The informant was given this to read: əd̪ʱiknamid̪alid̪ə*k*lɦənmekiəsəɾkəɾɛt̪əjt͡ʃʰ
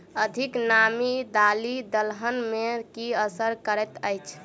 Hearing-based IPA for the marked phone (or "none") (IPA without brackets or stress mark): none